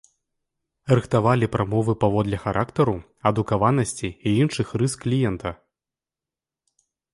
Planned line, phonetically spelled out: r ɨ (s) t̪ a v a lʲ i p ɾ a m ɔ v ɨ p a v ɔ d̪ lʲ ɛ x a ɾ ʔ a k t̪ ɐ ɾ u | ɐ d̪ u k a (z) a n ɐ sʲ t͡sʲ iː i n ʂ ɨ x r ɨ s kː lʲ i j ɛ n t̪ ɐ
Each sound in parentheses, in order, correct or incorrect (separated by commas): incorrect, incorrect